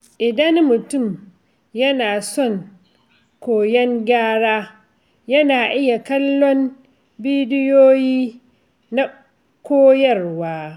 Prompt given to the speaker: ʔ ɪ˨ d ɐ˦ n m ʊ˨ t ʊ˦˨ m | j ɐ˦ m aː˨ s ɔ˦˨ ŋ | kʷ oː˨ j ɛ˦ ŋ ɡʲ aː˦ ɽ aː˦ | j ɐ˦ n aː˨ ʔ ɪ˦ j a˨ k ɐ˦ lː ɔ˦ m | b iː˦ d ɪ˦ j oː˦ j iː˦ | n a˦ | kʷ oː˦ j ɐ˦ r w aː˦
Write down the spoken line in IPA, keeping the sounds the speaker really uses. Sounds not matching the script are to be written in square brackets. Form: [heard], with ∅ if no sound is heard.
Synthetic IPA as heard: ʔ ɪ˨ d ɐ˦ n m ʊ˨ t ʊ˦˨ m | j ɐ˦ [n] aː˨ s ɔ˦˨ ŋ | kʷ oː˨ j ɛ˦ ŋ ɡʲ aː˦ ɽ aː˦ | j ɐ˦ n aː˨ ʔ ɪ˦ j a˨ k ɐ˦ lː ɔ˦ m | b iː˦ d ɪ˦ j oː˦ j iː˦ | n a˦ | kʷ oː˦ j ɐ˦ r w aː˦